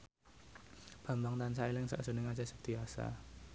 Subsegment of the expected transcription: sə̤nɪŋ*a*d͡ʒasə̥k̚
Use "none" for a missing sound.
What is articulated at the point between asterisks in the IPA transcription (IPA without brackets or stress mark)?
a